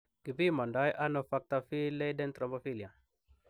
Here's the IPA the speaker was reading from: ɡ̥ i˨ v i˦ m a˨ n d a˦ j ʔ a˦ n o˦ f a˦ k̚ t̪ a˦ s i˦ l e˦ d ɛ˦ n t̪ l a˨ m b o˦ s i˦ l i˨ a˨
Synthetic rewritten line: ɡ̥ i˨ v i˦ m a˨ n d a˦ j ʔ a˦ n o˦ f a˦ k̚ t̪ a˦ f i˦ l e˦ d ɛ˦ n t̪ ɾ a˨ m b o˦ f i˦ l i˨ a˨